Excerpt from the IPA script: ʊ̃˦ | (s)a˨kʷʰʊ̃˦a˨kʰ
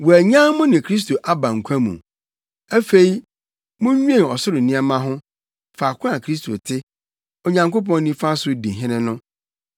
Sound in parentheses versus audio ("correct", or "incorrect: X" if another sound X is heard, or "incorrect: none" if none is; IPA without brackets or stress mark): incorrect: f